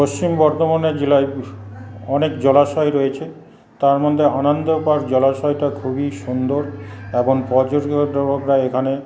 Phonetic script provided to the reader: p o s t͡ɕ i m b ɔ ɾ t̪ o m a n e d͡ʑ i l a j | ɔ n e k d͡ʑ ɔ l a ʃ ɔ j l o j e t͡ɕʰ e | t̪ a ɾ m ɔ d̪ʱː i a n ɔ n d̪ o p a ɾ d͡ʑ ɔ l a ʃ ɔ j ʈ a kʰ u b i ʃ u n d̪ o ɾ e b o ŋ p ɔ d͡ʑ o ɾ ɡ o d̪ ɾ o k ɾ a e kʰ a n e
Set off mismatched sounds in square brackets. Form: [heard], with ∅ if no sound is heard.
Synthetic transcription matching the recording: p o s t͡ɕ i m b ɔ ɾ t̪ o m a n e d͡ʑ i l a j | ɔ n e k d͡ʑ ɔ l a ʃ ɔ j [ɾ] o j e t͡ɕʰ e | t̪ a ɾ m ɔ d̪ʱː [e] a n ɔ n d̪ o p a ɾ d͡ʑ ɔ l a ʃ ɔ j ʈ a kʰ u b i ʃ u n d̪ o ɾ e b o ŋ p ɔ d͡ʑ o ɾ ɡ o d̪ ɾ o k ɾ a e kʰ a n e